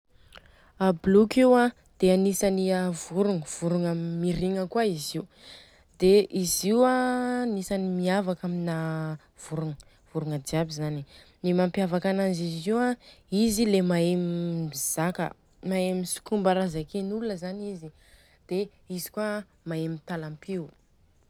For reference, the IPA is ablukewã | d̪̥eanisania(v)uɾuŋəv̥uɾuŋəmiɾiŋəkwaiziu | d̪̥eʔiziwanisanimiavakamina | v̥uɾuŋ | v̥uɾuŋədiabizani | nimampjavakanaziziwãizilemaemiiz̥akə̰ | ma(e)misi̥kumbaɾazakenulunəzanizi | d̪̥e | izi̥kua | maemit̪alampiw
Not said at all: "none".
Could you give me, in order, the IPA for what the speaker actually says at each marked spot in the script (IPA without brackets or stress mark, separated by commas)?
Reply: v, e